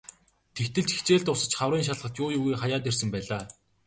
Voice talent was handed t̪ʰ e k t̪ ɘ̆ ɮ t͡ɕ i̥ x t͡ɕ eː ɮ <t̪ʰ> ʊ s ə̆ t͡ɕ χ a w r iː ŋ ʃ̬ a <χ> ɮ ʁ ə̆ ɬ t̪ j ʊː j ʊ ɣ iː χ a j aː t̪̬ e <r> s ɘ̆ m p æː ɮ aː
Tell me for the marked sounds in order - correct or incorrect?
incorrect, incorrect, correct

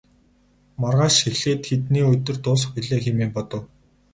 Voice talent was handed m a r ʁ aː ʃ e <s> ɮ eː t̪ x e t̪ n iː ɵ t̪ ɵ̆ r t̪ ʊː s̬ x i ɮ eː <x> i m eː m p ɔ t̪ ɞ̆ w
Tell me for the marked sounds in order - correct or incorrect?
incorrect, correct

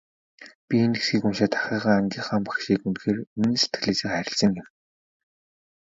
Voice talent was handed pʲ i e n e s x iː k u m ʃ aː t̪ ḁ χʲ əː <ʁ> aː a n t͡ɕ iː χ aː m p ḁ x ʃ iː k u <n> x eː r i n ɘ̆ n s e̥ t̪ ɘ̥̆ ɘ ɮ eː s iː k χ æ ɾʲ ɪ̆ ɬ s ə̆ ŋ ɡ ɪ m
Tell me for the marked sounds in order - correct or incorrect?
correct, correct

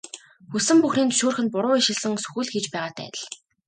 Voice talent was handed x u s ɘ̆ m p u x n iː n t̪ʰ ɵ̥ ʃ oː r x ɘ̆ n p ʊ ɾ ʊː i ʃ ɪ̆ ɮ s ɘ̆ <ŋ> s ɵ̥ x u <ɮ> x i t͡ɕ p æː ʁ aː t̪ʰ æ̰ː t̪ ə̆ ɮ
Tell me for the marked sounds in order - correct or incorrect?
correct, correct

